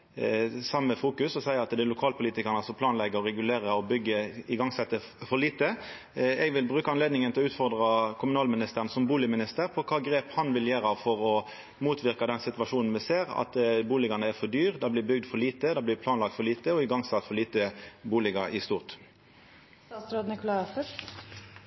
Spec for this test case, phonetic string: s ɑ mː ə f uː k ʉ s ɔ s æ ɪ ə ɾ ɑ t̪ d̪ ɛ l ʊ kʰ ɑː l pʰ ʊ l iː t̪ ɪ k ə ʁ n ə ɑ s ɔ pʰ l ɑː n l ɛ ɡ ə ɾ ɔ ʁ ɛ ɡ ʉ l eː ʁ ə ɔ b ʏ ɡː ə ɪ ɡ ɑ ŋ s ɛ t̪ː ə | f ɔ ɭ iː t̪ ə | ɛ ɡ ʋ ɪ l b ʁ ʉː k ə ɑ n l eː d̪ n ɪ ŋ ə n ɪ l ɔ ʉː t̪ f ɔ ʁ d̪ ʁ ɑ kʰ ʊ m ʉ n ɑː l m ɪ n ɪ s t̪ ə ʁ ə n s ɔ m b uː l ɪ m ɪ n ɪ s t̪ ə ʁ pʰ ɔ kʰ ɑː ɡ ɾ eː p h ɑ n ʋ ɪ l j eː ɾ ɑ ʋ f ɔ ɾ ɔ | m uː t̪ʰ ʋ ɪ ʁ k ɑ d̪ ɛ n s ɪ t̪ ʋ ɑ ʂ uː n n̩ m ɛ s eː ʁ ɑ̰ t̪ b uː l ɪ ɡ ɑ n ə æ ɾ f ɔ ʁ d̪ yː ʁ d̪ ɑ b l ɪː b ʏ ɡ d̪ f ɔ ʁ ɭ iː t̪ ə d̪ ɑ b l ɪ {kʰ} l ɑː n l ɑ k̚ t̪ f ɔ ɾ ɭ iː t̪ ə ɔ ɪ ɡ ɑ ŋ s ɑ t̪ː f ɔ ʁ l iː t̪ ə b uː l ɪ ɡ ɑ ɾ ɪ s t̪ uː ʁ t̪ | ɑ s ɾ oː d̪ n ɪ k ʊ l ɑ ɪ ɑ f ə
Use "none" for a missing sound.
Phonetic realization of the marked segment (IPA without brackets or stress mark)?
pʰ